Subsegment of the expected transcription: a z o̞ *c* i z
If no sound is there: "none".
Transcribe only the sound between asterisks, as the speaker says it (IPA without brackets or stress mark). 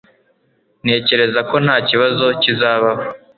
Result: c